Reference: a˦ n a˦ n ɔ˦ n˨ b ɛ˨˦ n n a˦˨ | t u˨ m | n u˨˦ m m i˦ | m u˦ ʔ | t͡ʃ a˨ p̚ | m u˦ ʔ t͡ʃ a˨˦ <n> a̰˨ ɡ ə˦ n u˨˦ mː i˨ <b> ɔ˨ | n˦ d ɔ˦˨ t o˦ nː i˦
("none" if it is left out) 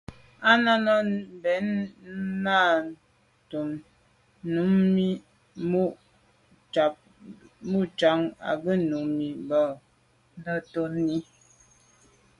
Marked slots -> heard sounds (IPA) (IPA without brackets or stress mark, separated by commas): ŋ, b